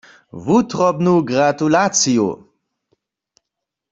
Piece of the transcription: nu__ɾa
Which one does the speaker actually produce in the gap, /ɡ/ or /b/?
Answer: ɡ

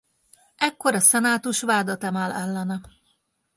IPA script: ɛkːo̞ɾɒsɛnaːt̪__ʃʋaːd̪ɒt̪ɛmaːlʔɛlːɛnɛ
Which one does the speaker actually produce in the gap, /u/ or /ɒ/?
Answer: u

